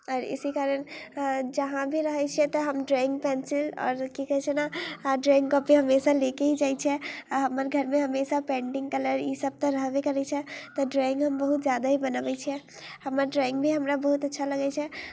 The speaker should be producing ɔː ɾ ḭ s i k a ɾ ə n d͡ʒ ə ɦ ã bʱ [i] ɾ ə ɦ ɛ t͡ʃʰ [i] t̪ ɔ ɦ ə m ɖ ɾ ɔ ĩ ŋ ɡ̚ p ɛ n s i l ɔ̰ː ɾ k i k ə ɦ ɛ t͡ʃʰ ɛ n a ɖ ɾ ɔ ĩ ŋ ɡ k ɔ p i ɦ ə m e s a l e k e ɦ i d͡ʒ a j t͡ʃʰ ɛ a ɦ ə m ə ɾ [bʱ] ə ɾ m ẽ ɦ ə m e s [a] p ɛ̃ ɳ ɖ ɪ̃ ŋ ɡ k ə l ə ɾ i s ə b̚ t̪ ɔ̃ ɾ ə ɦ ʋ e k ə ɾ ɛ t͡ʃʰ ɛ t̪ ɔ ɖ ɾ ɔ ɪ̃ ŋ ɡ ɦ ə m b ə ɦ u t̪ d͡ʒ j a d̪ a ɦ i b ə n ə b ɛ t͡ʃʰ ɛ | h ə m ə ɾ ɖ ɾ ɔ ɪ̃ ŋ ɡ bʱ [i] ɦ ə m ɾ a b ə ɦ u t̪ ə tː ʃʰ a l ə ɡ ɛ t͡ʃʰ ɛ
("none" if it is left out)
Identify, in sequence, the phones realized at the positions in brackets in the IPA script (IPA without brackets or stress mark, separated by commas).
i, ɛ, ɡʱ, a, i